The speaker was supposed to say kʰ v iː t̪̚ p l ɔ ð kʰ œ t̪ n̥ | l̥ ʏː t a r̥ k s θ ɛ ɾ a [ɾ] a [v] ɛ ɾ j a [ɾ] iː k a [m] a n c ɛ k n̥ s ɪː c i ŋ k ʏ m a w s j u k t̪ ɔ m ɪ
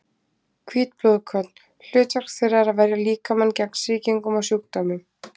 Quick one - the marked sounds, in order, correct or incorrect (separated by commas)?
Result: correct, correct, incorrect, correct